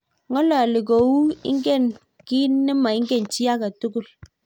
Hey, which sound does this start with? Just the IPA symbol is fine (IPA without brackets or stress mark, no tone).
ŋ